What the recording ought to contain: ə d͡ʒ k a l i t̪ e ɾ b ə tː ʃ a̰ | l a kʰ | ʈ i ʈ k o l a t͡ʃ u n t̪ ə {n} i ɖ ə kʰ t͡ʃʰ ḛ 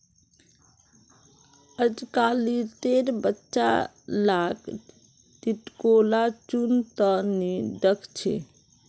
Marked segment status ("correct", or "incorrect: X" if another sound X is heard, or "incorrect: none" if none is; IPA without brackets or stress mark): correct